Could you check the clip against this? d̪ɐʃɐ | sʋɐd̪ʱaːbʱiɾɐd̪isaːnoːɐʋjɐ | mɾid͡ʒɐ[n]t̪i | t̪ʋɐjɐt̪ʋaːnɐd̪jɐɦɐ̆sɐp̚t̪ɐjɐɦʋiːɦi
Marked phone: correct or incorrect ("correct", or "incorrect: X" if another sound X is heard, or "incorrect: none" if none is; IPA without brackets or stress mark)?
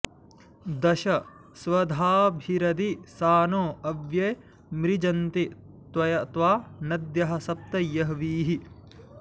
correct